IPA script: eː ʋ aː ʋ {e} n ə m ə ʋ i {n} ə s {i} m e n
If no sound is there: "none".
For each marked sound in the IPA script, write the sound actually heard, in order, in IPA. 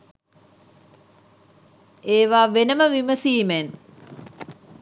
e, m, iː

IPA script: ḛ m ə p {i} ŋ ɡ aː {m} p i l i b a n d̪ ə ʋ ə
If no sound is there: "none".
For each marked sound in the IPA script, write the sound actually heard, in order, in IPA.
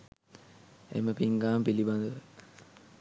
i, m

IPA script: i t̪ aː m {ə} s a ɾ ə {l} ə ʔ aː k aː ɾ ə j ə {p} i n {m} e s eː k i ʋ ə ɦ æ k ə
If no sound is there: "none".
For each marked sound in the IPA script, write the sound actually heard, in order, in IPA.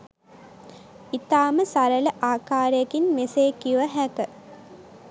ə, l, k, m

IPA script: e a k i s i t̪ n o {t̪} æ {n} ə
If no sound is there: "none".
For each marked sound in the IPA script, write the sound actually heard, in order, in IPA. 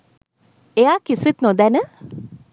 d̪, n

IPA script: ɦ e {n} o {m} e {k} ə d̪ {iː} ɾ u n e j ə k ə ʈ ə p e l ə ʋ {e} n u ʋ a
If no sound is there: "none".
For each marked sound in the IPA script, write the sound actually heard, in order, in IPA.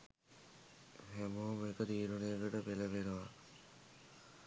m, m, k, iː, e

